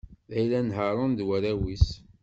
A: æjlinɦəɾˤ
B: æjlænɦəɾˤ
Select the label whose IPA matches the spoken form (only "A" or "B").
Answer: B